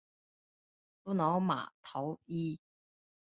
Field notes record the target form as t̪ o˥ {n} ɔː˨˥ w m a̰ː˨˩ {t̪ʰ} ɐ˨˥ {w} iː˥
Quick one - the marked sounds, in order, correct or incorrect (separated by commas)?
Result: correct, correct, correct